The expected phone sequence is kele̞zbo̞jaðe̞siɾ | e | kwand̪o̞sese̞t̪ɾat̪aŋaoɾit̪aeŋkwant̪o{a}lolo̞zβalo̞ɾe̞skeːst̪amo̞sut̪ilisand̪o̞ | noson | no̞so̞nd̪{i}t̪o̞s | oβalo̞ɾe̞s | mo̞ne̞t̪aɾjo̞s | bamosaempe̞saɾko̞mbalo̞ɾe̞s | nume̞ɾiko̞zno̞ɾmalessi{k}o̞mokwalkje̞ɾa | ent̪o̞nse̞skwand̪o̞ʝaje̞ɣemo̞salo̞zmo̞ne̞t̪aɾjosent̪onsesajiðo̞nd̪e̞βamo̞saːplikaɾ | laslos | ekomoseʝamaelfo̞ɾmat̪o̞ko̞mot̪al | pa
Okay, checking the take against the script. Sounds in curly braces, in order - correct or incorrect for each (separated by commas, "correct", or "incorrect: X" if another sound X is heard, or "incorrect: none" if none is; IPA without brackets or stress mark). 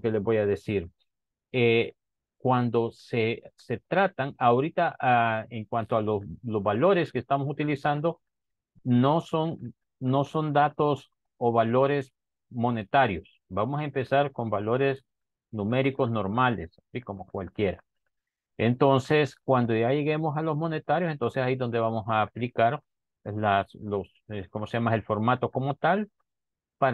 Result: correct, incorrect: a, correct